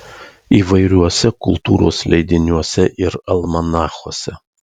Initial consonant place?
labial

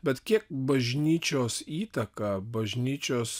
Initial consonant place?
labial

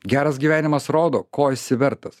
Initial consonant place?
velar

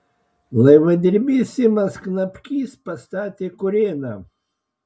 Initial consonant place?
alveolar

